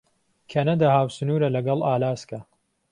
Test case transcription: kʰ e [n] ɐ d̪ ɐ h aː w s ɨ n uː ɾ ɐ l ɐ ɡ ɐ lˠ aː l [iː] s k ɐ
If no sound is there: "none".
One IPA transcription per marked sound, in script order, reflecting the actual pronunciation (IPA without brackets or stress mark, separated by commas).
n, aː